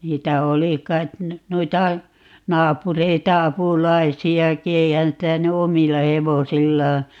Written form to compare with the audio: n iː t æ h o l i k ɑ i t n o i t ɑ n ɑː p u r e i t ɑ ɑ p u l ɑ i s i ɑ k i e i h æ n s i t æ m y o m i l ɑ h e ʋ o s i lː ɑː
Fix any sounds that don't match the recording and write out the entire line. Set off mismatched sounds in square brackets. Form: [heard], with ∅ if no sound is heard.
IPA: n iː t æ [∅] o l i k ɑ i t n o i t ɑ n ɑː p u r e i t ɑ ɑ p u l ɑ i s i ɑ k i e i h æ n s i t æ [n] y o m i [lː] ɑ h e ʋ o s i lː ɑː